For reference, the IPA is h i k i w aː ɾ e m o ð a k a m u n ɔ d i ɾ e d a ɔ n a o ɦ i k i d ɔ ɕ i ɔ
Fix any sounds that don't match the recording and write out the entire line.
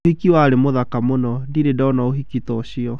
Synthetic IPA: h i k i w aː ɾ e m o ð a k a m o n ɔ d i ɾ e d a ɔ n a o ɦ i k i t ɔ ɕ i ɔ